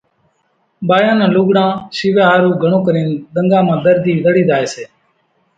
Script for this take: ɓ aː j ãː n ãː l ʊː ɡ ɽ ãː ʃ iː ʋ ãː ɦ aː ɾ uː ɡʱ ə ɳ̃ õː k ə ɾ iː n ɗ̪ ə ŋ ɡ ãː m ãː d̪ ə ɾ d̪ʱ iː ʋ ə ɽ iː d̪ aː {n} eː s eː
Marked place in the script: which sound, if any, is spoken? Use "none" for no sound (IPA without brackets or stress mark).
none